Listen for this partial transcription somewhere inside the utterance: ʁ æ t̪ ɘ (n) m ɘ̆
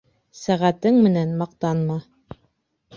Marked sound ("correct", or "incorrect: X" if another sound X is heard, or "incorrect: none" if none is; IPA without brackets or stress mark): incorrect: ŋ